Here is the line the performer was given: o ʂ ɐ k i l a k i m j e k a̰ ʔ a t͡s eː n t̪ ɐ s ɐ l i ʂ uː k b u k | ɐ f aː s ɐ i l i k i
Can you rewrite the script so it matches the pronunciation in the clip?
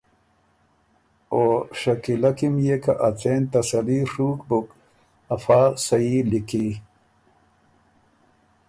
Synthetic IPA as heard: o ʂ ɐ k i l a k i m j e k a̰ ʔ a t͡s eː n t̪ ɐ s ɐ l i ʂ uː k b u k | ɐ f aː s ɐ i l i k i